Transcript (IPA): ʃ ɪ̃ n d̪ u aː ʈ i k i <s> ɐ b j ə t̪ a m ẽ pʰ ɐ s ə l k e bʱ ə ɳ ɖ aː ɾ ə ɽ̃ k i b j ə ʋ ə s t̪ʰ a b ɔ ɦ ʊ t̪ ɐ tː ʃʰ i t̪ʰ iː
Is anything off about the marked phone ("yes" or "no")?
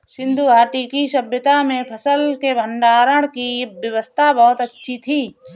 yes